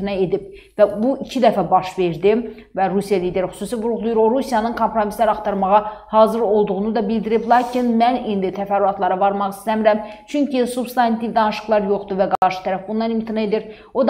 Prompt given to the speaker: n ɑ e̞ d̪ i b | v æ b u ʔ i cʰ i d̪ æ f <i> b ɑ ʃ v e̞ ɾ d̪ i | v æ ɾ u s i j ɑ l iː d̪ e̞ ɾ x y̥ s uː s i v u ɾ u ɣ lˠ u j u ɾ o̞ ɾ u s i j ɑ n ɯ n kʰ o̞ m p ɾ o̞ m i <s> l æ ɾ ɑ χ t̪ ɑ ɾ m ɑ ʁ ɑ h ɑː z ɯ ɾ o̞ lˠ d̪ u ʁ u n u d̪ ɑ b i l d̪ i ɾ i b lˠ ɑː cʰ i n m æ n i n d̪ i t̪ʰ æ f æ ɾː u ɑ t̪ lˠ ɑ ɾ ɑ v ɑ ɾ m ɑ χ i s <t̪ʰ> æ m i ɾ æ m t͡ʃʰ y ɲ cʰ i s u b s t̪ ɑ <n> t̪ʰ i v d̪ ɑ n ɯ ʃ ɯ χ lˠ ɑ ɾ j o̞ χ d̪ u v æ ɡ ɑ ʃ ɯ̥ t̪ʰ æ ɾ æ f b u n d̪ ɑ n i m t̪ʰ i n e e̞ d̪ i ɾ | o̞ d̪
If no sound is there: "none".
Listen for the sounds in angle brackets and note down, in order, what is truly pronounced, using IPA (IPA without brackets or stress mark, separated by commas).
æ, s, t̪, n